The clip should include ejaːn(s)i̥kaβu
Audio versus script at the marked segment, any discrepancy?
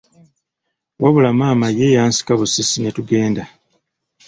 no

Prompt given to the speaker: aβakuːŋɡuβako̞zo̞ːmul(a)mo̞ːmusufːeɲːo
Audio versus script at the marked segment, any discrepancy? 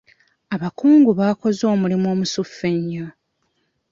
yes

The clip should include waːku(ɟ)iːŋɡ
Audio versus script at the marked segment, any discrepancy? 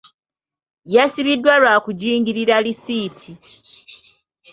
no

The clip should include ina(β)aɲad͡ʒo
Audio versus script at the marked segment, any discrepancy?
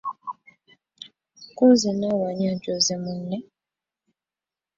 yes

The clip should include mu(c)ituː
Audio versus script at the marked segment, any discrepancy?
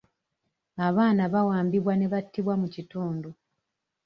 no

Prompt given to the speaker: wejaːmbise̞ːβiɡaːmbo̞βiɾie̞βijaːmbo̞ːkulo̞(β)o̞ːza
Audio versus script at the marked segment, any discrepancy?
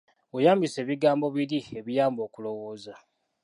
yes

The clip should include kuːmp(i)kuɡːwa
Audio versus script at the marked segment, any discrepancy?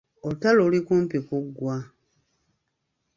no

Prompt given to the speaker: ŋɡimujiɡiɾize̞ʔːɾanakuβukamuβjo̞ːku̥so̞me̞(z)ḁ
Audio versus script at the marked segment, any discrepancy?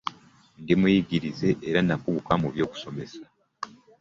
yes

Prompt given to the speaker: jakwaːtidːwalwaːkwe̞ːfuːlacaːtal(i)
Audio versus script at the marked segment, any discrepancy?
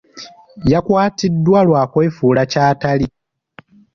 no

